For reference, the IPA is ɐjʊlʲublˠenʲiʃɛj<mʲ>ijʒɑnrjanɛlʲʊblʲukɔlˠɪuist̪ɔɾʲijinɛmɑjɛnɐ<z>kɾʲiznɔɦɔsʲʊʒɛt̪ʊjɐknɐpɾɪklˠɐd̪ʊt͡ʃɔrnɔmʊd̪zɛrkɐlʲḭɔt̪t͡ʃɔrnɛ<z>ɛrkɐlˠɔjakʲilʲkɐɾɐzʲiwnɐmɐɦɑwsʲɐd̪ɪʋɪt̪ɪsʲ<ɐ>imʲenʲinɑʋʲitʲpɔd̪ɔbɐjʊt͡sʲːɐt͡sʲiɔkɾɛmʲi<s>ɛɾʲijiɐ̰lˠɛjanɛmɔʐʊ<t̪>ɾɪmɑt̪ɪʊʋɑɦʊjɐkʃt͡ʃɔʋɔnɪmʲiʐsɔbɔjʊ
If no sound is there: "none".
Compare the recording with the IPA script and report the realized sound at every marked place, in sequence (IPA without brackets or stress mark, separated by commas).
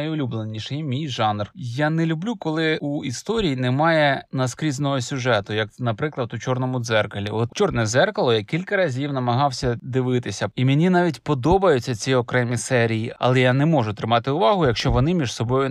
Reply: mʲ, s, z, ɐ, s, t̪